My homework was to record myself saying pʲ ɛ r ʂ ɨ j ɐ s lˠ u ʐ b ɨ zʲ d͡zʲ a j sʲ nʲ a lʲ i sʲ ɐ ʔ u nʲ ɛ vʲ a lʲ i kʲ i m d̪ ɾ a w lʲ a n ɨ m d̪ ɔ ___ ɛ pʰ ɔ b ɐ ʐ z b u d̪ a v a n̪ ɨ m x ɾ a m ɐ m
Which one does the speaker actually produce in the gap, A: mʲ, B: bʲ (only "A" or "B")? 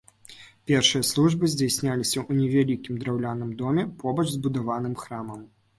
A